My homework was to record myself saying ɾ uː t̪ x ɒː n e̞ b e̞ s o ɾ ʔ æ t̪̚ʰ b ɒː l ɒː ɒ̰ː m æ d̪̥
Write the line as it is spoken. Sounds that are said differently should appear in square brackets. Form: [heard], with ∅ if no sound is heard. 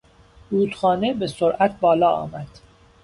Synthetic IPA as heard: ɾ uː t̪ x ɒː n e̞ b e̞ s o ɾ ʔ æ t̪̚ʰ b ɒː l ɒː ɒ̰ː m æ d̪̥